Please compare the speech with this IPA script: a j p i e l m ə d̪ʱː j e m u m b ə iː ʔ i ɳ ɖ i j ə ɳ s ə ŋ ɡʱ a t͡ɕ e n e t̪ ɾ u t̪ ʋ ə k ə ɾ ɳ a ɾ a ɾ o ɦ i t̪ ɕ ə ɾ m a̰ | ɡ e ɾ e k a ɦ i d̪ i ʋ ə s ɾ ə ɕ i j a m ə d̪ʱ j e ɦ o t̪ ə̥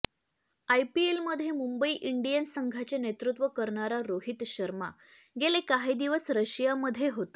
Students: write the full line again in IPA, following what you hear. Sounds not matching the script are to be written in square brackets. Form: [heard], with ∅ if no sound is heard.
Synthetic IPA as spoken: a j p i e l m ə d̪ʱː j e m u m b ə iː ʔ i ɳ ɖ i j ə [n] s ə ŋ ɡʱ a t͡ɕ e n e t̪ ɾ u t̪ ʋ ə k ə ɾ ɳ a ɾ a ɾ o ɦ i t̪ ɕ ə ɾ m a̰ | ɡ e [l] e k a ɦ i d̪ i ʋ ə s ɾ ə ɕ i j a m ə d̪ʱ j e ɦ o t̪ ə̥